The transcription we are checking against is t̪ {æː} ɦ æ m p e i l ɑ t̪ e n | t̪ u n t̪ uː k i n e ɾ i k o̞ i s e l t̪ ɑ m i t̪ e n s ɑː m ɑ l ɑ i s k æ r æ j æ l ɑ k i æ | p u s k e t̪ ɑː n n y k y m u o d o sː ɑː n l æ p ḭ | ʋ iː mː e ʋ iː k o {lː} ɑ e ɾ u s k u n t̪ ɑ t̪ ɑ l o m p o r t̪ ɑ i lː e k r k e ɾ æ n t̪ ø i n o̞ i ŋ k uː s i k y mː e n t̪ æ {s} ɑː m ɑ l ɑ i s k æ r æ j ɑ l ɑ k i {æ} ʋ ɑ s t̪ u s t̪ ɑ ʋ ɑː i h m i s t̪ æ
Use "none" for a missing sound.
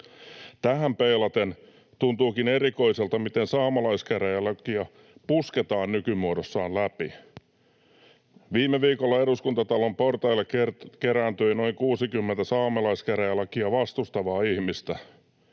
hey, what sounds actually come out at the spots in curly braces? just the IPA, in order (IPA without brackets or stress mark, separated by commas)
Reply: æ, lː, s, æ